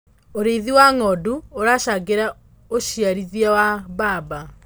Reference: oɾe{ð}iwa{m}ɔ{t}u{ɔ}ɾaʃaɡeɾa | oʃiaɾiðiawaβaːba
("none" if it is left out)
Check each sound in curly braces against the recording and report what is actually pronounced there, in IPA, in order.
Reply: ð, ŋ, d, o

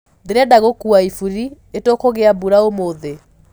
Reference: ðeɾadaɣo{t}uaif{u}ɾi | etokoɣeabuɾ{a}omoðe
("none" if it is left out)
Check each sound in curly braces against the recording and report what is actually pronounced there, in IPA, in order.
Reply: k, u, a

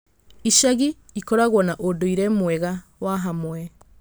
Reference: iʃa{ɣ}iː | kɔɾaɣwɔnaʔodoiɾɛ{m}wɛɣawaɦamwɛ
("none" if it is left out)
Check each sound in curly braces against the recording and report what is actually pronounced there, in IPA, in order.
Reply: ɣ, m

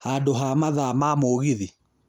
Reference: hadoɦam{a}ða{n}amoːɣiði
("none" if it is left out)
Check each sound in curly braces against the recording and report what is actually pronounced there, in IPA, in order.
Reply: a, m

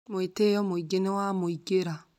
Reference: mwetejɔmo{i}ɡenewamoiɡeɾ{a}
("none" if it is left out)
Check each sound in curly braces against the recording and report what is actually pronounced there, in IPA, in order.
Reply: i, a

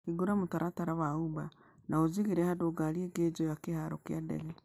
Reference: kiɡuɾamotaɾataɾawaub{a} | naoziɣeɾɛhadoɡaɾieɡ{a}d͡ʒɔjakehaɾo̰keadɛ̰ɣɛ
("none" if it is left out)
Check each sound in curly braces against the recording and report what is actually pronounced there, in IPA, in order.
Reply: a, e

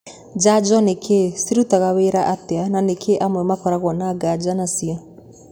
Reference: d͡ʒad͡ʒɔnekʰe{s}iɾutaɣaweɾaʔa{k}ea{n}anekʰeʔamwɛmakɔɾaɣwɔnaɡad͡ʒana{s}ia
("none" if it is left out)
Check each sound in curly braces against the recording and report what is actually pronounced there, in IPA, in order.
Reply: s, t, n, s

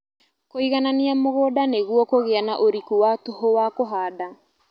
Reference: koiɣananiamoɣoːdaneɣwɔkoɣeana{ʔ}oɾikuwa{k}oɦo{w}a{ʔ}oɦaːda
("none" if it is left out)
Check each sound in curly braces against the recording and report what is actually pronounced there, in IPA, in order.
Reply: ʔ, t, w, k

